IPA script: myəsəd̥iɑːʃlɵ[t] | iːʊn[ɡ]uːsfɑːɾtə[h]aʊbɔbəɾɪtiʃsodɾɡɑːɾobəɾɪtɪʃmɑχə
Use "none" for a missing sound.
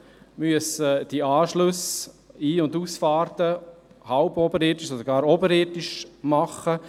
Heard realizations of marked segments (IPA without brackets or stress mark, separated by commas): s, d, h